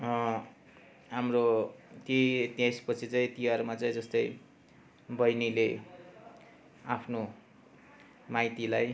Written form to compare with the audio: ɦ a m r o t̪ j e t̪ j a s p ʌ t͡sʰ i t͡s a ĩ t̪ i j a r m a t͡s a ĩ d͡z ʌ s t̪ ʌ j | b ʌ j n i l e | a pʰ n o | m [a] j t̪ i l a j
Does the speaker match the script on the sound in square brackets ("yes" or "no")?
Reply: yes